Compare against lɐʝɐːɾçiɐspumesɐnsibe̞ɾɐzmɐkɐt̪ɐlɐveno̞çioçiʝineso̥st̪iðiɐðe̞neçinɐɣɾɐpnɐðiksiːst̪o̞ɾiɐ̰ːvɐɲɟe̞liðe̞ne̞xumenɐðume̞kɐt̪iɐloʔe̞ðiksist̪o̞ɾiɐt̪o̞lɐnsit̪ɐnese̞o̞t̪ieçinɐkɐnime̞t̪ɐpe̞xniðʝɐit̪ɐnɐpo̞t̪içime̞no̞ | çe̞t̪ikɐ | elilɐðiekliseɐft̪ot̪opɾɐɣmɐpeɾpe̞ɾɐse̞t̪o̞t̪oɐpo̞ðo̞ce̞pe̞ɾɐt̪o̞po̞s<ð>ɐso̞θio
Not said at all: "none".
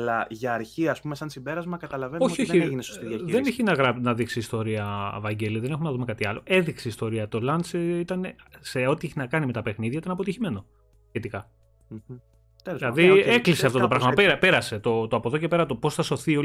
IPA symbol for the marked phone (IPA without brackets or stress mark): θ